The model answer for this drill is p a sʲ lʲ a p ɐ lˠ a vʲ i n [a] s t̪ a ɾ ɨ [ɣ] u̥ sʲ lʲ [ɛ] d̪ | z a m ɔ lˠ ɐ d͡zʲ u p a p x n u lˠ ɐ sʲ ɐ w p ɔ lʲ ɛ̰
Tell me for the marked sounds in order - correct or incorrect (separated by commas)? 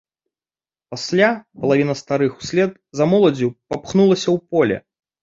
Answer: incorrect, incorrect, correct